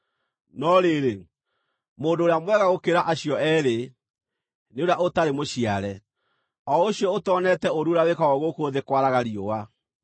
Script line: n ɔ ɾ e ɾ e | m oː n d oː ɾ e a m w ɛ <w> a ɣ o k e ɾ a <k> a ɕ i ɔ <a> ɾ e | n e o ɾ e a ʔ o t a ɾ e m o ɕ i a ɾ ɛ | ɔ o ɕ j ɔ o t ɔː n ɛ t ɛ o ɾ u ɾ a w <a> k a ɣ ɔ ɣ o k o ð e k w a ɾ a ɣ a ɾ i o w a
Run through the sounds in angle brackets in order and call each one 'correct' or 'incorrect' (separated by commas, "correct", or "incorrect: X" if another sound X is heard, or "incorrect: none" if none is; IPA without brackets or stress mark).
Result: incorrect: ɣ, incorrect: ʔ, incorrect: ɛ, incorrect: e